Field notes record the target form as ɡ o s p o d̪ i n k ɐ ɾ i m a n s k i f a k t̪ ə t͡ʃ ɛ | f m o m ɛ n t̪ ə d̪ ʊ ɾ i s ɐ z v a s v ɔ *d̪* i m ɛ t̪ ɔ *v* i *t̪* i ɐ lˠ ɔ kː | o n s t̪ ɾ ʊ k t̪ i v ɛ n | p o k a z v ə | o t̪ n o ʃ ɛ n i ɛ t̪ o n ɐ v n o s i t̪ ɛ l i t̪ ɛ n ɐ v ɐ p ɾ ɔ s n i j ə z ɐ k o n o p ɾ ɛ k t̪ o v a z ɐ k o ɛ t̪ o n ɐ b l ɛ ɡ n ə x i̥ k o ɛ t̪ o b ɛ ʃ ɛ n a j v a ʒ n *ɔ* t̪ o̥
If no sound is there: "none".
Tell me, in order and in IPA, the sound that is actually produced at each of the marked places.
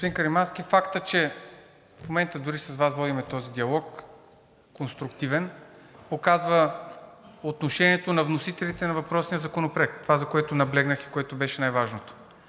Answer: d̪, z, d̪, o

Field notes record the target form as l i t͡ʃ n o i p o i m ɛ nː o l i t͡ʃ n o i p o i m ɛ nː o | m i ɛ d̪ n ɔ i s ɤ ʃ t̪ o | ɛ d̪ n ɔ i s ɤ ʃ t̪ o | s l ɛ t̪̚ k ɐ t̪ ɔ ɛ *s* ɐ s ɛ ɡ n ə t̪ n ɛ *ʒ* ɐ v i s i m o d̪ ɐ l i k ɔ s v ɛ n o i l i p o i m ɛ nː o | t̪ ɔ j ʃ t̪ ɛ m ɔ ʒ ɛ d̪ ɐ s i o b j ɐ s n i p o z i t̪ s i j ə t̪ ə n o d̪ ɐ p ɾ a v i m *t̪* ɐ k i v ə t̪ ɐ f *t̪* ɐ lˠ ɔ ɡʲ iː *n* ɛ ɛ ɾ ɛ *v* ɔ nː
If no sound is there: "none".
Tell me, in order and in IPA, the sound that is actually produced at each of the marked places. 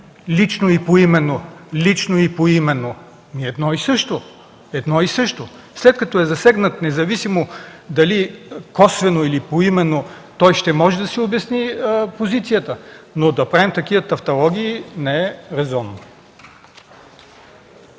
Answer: z, z, t̪, t̪, n, z

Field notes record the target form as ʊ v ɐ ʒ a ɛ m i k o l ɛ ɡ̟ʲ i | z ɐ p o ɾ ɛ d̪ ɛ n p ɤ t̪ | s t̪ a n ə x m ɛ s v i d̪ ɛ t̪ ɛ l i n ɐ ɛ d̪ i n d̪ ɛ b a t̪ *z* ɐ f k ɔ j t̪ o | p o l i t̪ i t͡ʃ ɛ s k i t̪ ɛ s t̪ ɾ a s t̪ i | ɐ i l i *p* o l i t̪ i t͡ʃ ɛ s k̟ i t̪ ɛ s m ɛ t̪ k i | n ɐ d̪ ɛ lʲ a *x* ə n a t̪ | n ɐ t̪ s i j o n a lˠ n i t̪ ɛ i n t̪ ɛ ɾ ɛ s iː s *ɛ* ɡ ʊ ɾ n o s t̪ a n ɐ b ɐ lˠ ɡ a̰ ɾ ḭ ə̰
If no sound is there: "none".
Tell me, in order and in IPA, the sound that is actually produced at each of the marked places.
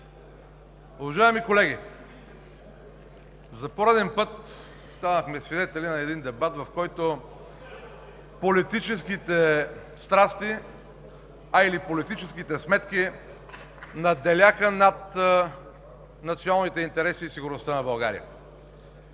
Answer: v, p, x, i

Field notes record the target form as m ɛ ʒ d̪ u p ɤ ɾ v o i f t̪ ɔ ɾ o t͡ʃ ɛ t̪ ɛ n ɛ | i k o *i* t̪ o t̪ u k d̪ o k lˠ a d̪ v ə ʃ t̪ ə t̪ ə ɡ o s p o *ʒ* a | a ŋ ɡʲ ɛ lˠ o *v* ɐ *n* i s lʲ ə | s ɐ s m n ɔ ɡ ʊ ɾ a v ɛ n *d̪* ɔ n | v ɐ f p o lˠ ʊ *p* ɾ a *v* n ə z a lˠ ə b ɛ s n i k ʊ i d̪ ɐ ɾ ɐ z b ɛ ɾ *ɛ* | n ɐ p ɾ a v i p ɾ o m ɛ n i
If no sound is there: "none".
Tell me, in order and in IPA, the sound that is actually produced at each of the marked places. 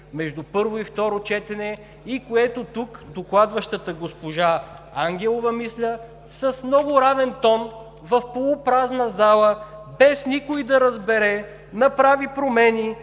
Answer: ɛ, ʒ, v, m, t̪, p, z, ɛ

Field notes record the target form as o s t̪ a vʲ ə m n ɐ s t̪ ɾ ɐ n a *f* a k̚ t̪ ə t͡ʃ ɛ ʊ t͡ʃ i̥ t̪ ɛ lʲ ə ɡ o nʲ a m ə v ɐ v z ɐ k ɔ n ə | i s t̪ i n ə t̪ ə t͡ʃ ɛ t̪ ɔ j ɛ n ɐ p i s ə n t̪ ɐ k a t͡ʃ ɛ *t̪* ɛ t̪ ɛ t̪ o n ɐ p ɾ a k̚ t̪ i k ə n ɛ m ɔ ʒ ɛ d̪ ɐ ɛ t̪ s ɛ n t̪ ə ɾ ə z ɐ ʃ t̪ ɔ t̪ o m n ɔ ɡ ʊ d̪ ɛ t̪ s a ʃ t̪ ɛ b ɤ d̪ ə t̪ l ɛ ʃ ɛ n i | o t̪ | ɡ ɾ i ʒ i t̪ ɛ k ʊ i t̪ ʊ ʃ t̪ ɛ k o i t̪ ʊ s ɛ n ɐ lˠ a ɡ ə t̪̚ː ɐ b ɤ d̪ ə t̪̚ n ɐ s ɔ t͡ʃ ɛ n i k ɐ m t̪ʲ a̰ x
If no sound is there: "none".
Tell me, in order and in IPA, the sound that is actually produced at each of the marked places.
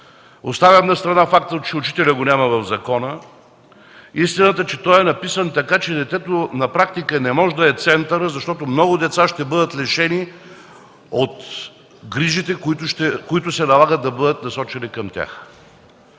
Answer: f, d̪

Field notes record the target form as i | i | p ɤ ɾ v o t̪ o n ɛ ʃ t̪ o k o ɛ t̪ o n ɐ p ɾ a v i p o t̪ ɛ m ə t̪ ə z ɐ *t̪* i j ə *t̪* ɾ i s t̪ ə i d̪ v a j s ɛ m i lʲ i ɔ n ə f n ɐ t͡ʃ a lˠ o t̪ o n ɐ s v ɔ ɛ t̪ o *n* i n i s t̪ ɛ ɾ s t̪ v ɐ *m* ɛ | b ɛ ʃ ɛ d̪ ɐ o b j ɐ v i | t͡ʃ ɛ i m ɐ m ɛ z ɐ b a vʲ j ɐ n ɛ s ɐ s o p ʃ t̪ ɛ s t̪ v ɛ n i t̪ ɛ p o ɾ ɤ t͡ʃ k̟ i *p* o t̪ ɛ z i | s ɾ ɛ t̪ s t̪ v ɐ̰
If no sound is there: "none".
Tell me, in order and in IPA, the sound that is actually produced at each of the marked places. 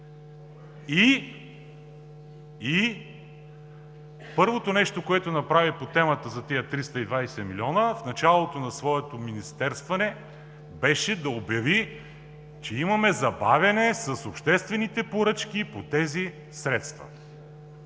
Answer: t̪, t̪, m, n, p

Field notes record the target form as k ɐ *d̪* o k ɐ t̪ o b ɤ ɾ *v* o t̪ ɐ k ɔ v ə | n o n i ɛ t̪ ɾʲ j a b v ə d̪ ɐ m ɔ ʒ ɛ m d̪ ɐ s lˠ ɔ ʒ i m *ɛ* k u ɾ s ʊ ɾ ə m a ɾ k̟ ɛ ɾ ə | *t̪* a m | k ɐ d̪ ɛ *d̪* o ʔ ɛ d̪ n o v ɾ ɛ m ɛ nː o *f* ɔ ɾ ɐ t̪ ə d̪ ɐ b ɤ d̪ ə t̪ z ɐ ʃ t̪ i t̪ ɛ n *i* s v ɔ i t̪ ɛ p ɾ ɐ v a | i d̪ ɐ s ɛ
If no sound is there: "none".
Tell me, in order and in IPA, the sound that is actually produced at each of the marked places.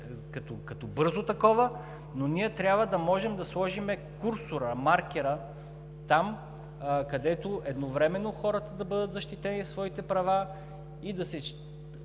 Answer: t̪, z, ɛ, t̪, t̪, x, i

